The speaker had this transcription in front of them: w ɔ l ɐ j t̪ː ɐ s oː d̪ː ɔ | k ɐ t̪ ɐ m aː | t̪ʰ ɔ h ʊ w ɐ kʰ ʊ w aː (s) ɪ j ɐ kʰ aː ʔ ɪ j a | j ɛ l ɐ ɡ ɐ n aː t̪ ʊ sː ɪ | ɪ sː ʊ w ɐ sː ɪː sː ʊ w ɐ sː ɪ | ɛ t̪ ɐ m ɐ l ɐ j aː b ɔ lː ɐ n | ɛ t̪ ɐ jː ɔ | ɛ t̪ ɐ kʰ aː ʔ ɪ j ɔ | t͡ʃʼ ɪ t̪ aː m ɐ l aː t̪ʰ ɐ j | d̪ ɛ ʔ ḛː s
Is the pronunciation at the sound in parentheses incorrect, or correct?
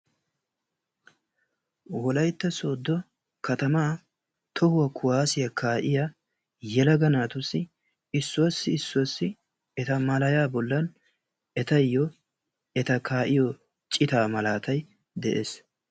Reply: correct